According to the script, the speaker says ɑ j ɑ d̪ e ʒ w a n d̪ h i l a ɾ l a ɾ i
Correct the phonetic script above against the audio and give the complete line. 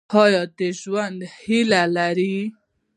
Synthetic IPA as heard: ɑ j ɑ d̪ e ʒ w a n d̪ h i l a l a ɾ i